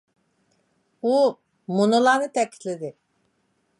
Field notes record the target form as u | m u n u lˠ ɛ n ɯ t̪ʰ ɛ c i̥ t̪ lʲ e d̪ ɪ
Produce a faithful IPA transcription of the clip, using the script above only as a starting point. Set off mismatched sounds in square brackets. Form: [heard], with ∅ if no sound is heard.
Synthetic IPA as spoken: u | m u n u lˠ [a] n ɯ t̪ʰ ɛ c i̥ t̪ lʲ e d̪ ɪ